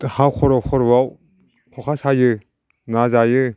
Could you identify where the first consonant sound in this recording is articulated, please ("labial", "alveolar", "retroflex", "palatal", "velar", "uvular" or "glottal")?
glottal